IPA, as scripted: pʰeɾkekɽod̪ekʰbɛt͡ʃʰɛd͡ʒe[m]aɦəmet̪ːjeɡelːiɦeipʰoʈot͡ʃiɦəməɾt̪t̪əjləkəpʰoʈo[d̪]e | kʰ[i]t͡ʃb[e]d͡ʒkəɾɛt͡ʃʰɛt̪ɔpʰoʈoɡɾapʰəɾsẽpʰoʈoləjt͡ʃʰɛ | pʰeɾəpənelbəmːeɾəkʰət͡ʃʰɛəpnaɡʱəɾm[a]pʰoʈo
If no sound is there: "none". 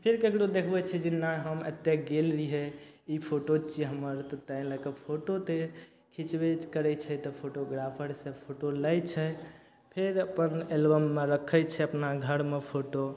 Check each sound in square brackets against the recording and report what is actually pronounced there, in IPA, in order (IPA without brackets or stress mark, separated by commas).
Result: n, t̪, i, e, e